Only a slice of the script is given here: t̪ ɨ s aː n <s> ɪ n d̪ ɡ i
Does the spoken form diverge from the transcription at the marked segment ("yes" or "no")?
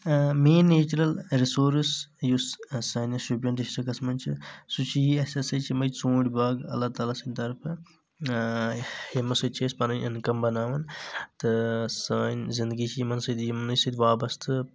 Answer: yes